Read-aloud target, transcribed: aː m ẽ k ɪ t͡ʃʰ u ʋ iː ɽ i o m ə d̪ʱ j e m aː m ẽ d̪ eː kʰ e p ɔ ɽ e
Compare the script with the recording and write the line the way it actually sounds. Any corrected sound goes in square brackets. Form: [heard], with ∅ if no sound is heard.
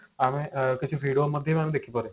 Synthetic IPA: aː m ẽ k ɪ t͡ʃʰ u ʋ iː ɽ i o m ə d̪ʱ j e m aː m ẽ d̪ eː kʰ [i] p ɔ [ɾ] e

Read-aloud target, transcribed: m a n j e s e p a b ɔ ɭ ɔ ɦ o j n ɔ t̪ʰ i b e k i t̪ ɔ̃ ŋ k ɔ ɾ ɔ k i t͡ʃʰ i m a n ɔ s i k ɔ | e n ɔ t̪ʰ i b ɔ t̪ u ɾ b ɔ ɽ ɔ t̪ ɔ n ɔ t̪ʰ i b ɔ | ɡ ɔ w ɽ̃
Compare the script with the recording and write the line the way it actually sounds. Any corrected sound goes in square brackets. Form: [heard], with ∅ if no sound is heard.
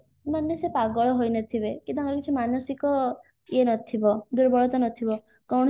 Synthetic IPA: m a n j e s e p a [ɡ] ɔ ɭ ɔ ɦ o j n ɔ t̪ʰ i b e k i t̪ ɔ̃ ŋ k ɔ ɾ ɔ k i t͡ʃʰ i m a n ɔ s i k ɔ | e n ɔ t̪ʰ i b ɔ [d̪] u ɾ b ɔ [ɭ] ɔ t̪ ɔ n ɔ t̪ʰ i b ɔ | [k] ɔ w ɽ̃

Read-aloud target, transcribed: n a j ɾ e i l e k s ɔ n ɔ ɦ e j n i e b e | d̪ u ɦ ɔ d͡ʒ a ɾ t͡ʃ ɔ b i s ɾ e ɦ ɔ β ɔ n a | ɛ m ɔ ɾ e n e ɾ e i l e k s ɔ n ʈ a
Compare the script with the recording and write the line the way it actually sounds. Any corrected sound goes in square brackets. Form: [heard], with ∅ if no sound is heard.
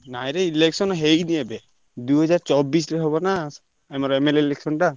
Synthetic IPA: n a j ɾ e i l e k s ɔ n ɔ ɦ e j n i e b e | d̪ u ɦ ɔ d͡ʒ a ɾ t͡ʃ ɔ b i s ɾ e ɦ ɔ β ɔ n a | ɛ m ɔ ɾ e [m] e [l] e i l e k s ɔ n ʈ a

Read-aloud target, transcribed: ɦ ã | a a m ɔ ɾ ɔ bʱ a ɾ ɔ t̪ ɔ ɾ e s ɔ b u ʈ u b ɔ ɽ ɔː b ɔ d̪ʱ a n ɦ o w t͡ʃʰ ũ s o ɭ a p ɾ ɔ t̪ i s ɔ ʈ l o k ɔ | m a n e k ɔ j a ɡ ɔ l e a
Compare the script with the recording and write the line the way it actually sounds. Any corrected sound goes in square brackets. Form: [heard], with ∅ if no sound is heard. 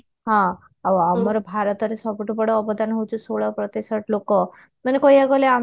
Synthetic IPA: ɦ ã | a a m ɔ ɾ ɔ bʱ a ɾ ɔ t̪ ɔ ɾ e s ɔ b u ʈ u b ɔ ɽ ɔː b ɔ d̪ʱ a n ɦ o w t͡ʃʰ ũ s o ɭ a p ɾ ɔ t̪ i s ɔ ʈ l o k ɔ | m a n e k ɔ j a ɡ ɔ l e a

